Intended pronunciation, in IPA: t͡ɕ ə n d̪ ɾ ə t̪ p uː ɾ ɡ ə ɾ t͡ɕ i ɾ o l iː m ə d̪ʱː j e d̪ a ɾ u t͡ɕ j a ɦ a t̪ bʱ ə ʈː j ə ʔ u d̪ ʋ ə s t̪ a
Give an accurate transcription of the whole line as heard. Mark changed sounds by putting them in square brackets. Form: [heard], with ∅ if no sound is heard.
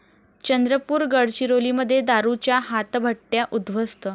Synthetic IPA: t͡ɕ ə n d̪ ɾ ə [∅] p uː ɾ ɡ ə [ɽ] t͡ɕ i ɾ o l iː m ə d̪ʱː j e d̪ a ɾ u t͡ɕ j a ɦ a t̪ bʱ ə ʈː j [a] ʔ u d̪ ʋ ə s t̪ [ə]